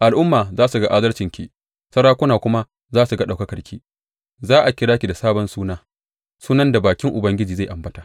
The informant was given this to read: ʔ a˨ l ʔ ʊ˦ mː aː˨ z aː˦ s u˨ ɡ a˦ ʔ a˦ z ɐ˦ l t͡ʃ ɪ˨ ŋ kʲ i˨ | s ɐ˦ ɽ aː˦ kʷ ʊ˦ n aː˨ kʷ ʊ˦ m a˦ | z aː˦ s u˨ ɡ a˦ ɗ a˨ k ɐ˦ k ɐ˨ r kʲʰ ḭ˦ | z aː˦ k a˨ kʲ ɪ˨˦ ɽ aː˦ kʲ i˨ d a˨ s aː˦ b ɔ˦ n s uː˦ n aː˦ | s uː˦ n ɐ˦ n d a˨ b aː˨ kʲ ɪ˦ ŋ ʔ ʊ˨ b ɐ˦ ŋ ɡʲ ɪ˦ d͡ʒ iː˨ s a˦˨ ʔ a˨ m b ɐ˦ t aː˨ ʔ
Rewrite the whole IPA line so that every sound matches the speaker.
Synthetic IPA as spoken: ʔ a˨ l ʔ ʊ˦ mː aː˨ z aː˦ s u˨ ɡ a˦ ʔ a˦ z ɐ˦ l t͡ʃ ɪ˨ ŋ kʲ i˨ | s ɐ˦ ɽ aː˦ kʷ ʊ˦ n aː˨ kʷ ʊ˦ m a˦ | z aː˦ s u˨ ɡ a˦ ɗ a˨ k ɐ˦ k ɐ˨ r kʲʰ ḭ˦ | z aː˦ ʔ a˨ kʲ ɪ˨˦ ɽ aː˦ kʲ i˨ d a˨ s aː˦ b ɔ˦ n s uː˦ n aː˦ | s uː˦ n ɐ˦ n d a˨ b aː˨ kʲ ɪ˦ ŋ ʔ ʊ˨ b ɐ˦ ŋ ɡʲ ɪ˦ d͡ʒ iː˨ z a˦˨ ʔ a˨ m b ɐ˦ t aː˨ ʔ